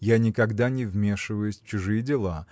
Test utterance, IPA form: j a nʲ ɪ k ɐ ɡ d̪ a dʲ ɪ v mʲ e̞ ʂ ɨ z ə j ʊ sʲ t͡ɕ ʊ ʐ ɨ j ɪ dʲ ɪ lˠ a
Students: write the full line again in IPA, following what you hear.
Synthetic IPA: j a nʲ ɪ k ɐ ɡ d̪ a nʲ ɪ v mʲ e̞ ʂ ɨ v ə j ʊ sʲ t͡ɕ ʊ ʐ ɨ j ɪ dʲ ɪ lˠ a